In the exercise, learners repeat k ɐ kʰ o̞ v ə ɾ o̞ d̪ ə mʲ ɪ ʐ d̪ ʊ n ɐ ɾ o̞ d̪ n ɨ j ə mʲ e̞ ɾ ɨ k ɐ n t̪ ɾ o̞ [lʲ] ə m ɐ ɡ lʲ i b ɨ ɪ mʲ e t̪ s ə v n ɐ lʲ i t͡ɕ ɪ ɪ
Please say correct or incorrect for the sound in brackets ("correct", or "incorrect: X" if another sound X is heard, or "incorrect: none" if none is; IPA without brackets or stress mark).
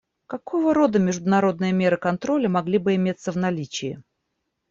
correct